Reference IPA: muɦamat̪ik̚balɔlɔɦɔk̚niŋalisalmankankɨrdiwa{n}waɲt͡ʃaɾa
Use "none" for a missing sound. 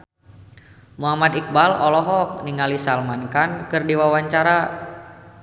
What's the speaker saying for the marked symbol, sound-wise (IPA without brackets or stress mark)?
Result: none